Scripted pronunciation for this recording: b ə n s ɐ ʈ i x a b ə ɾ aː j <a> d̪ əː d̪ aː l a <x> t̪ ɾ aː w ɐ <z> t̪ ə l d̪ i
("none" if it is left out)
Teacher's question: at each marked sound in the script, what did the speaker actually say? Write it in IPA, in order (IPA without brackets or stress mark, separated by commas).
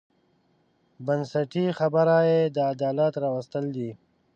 e, none, s